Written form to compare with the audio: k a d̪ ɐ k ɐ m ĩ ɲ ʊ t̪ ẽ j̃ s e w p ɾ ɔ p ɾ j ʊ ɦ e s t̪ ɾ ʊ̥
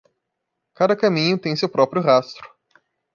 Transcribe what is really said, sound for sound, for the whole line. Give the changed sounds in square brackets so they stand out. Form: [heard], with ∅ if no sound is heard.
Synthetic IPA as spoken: k a d̪ ɐ k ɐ m ĩ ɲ ʊ t̪ ẽ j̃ s e w p ɾ ɔ p ɾ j ʊ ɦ [a] s t̪ ɾ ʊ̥